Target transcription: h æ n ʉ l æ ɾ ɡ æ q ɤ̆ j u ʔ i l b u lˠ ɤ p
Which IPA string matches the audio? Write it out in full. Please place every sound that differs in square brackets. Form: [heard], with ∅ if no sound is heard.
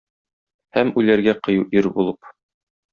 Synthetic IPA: h æ [m] ʉ l æ ɾ ɡ æ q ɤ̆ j u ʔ i [ɾ] b u lˠ ɤ p